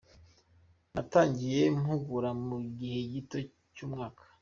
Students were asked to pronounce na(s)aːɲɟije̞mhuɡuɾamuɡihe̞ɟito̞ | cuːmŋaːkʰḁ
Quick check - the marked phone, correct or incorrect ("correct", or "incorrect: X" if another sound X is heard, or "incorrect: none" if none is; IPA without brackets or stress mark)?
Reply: incorrect: t